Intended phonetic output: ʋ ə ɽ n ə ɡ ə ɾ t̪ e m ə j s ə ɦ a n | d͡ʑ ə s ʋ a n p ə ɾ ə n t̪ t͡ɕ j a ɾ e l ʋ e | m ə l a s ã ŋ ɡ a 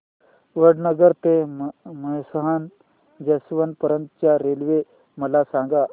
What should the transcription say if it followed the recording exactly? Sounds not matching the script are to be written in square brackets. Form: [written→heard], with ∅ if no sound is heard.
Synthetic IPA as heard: ʋ ə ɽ n ə ɡ ə ɾ t̪ e m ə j s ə ɦ a n | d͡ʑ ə s ʋ [a→ə] n p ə ɾ ə n t̪ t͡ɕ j a ɾ e l ʋ e | m ə l a s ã ŋ ɡ a